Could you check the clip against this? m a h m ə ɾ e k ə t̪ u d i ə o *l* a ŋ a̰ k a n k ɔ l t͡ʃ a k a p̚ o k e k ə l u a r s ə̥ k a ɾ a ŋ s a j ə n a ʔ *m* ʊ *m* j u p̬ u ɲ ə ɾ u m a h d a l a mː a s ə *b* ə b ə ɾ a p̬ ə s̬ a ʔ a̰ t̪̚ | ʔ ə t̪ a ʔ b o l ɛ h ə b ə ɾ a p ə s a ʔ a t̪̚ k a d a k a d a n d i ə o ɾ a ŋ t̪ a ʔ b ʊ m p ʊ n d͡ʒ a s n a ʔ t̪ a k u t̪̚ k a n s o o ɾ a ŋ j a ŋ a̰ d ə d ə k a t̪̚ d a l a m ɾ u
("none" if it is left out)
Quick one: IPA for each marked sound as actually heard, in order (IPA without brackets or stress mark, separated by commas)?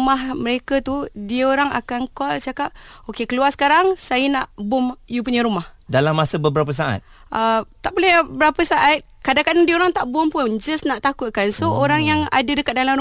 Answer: ɾ, b, m, b